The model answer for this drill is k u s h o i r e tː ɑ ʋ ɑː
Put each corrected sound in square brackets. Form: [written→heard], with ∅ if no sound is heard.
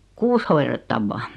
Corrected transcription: k [u→uː] s h o i r e tː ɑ [ʋ→ʋː] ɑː

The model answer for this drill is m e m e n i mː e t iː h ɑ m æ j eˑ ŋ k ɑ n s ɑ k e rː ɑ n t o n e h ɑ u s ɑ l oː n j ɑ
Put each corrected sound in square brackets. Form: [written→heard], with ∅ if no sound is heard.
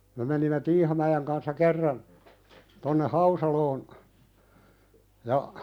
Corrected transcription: m e m e n i mː e t iː h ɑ m æ j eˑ ŋ k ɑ n [s→sː] ɑ k e rː ɑ n t o [n→nː] e h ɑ u s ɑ l oː n j ɑ

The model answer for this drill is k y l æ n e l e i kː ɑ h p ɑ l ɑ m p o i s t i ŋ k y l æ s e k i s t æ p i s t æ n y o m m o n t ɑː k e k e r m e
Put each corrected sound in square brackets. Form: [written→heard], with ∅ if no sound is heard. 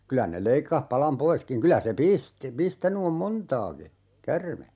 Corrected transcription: k y l æ n e l e i kː ɑ h p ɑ l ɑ m p o i s [t→k] i ŋ k y l æ s e [k→p] i s t [æ→i] p i s t æ n y o m m o n t ɑː k [e→i] k [e→æ] r m e

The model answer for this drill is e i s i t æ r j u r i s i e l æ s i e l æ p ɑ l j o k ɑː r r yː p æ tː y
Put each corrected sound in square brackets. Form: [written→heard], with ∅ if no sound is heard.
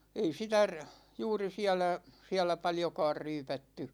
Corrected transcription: e i s i t æ r j [u→uː] r i s i [e→æ] l æ s i [e→æ] l æ p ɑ l j o k ɑː r r yː p æ tː y

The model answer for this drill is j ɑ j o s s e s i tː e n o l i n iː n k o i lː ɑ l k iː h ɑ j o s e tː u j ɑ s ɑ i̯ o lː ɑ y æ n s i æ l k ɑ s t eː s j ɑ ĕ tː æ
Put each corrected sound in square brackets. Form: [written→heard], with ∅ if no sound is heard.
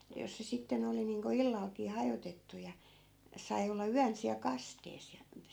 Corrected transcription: j ɑ j o s s e s i tː e n o l i n iː [n→ŋ] k o i lː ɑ l k iː h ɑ j o [s→t] e tː u j ɑ s ɑ i̯ o lː ɑ y æ n s i æ l k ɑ s t eː s j ɑ ĕ tː æ

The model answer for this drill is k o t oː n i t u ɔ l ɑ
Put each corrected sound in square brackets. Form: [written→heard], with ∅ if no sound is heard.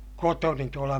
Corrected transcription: k o t [oː→o] n i t u [ɔ→o] l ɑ

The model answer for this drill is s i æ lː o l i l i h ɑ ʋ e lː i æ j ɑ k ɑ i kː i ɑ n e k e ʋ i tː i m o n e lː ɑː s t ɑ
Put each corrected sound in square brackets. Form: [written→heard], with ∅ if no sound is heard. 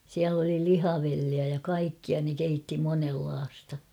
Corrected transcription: s i æ [lː→l] o l i l i h ɑ ʋ e lː i æ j ɑ k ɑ i kː i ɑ n e k e [ʋ→∅] i tː i m o n e lː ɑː s t ɑ

